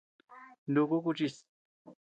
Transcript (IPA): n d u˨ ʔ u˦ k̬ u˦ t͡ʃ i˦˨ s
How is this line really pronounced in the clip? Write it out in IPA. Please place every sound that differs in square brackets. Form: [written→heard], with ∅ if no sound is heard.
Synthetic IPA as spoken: n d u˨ [ʔ→k] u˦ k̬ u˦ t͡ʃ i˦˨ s